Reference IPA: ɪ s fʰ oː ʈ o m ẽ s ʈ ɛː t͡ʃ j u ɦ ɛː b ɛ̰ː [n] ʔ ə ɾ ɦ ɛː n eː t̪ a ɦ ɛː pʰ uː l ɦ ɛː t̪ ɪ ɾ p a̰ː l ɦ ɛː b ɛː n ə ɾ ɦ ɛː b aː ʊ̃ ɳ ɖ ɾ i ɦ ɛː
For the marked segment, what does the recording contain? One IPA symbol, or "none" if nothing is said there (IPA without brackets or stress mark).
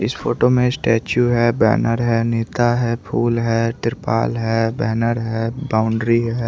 n